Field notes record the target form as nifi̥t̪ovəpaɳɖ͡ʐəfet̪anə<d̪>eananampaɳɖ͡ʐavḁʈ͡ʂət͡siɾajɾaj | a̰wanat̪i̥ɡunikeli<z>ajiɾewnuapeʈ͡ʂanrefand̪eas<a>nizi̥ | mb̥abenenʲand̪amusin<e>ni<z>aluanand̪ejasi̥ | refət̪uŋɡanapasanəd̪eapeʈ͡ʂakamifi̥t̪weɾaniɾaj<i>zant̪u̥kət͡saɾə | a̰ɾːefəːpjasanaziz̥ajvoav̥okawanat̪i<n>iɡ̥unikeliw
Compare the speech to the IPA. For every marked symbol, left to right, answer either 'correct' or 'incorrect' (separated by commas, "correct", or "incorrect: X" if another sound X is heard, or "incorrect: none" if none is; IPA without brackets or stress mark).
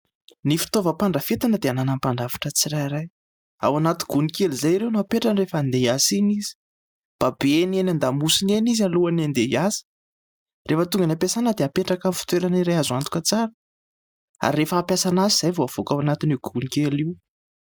correct, correct, incorrect: i, correct, correct, incorrect: a, correct